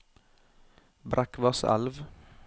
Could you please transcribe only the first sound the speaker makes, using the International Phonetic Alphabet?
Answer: b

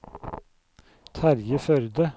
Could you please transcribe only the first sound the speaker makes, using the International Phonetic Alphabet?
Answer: t̪ʰ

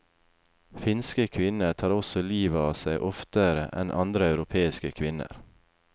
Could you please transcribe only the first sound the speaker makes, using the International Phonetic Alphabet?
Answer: f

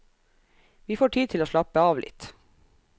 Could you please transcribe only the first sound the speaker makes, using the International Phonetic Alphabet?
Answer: ʋ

